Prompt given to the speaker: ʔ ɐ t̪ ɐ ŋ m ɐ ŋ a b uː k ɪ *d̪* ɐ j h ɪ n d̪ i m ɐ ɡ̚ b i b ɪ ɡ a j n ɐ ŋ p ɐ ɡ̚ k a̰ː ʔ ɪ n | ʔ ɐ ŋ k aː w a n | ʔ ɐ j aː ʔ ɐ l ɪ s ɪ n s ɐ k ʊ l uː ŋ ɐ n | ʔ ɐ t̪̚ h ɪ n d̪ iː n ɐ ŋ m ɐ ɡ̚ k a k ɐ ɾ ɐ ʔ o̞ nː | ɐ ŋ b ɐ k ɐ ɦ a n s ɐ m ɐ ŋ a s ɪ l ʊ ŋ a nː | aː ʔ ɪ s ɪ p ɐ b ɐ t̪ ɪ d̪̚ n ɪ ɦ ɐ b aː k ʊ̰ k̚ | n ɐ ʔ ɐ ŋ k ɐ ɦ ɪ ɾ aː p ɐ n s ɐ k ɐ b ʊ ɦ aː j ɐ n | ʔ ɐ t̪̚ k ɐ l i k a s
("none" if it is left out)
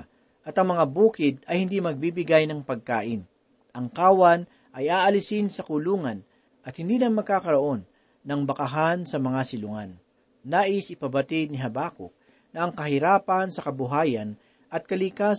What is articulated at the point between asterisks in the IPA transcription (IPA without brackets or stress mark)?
d̪